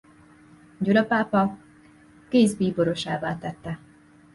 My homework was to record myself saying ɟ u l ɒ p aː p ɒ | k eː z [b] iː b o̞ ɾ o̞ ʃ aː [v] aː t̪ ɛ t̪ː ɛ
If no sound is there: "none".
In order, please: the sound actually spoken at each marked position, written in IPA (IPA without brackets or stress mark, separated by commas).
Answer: b, v